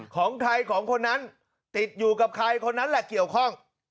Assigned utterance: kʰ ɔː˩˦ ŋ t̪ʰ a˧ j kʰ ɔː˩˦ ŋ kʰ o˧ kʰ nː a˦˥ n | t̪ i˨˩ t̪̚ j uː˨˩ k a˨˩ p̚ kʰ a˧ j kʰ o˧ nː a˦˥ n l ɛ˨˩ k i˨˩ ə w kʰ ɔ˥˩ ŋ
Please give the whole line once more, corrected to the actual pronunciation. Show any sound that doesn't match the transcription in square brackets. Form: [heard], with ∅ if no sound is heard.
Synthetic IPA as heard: kʰ ɔː˩˦ ŋ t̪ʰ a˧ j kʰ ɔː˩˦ ŋ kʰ o˧ [∅] nː a˦˥ n | t̪ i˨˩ t̪̚ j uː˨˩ k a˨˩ p̚ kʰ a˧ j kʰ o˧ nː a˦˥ n l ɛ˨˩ k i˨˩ ə w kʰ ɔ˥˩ ŋ